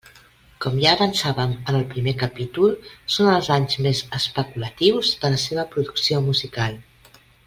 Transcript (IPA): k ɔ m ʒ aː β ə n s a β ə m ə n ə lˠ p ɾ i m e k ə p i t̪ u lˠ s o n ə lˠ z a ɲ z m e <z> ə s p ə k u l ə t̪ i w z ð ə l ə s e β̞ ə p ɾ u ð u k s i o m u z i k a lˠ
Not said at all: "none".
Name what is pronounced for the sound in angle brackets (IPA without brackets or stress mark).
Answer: z